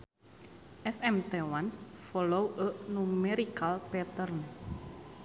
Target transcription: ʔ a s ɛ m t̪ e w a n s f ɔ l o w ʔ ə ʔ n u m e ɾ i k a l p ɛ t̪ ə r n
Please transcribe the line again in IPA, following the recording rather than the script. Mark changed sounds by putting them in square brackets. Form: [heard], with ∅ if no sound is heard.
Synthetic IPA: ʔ [ɛ] s ɛ m t̪ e w a n s f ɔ l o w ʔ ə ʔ n u m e ɾ i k a l p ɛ t̪ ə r n